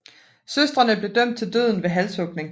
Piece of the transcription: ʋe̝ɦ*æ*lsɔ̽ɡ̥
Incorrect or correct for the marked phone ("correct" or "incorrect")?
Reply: correct